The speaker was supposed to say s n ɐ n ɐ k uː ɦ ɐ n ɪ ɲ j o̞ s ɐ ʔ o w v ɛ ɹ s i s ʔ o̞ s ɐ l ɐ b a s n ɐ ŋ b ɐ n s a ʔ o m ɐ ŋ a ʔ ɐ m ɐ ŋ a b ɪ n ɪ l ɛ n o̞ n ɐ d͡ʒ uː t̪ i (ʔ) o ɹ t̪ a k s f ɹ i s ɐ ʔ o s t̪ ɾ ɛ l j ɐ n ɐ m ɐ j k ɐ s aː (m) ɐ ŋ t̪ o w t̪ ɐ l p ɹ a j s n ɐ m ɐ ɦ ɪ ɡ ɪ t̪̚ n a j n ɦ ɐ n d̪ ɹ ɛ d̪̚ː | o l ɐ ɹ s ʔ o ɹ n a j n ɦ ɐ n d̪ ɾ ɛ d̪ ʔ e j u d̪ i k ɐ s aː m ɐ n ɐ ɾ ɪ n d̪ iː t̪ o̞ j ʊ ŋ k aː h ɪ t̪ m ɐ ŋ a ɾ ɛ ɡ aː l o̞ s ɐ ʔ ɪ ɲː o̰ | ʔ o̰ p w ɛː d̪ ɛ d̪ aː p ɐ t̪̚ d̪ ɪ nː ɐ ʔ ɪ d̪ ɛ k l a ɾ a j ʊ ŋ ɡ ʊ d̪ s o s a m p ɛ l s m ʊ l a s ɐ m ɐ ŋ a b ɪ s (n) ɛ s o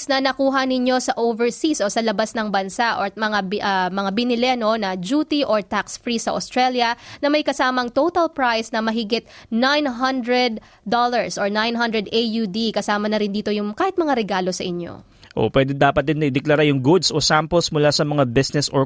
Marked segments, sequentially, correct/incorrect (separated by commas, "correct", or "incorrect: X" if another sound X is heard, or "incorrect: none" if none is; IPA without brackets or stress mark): correct, correct, correct